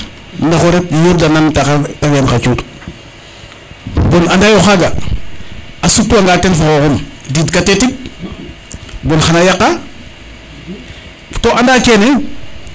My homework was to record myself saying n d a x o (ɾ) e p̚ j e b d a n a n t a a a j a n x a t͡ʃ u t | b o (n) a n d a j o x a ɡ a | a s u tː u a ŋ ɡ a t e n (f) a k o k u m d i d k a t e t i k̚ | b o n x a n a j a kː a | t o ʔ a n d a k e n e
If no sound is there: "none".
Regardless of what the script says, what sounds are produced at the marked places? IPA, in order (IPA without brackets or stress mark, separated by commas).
ɾ, n, f